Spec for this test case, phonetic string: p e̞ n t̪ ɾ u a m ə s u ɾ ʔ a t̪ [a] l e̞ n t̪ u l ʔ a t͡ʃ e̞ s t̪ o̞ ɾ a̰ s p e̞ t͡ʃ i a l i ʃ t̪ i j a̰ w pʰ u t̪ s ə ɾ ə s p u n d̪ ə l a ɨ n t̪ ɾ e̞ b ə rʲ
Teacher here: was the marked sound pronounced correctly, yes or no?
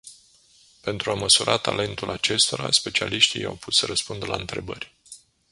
yes